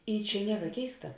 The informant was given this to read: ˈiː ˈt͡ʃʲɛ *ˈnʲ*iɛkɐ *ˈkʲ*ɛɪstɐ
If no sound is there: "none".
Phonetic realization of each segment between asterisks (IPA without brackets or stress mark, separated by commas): nʲ, kʲ